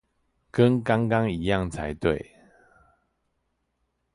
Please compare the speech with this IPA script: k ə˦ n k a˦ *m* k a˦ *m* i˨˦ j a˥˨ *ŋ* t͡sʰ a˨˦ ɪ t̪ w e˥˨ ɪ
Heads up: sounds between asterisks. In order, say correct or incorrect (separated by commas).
incorrect, incorrect, correct